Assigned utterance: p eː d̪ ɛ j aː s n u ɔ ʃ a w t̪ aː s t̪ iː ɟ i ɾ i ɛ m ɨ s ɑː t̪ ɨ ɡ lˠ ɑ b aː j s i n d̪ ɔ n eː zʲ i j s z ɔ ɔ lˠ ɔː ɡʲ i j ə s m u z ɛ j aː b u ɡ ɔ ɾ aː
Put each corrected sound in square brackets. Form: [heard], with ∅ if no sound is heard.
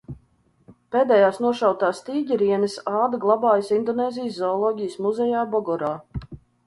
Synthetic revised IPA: p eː d̪ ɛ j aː s n u ɔ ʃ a w t̪ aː s t̪ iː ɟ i ɾ i ɛ [n] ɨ s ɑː [d̪] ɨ ɡ lˠ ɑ b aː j s i n d̪ ɔ n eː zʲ i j s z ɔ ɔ lˠ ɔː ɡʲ i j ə s m u z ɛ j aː b [ɔ] ɡ ɔ ɾ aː